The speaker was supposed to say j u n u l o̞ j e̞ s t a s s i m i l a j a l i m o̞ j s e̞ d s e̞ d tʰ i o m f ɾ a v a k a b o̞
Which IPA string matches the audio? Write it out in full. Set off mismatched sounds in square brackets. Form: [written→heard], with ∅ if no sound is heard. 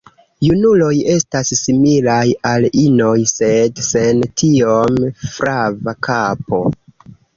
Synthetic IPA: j u n u l o̞ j e̞ s t a s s i m i l a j a l i [m→n] o̞ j s e̞ d s e̞ [d→n] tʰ i o m f ɾ a v a k a [b→p] o̞